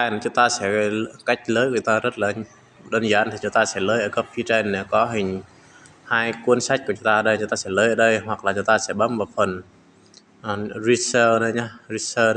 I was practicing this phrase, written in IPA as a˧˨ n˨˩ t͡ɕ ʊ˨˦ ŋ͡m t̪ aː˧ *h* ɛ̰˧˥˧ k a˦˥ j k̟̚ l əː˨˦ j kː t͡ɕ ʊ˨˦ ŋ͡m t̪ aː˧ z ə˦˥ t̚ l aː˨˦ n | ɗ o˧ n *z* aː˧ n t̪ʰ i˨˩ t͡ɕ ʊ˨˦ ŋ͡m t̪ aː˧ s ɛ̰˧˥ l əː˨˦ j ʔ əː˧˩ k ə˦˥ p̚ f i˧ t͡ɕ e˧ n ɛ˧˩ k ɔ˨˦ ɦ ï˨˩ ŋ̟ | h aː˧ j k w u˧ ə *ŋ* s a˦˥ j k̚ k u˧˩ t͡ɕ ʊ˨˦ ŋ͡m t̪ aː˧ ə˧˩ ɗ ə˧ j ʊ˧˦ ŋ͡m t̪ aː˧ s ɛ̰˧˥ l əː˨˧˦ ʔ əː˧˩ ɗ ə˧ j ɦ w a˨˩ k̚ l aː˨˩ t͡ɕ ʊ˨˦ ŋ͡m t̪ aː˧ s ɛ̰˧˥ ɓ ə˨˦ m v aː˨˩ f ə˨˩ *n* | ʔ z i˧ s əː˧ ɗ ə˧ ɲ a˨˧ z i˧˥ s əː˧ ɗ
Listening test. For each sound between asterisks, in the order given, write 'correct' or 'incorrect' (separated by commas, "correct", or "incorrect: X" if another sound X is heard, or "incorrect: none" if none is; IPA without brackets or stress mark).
incorrect: s, correct, incorrect: n, correct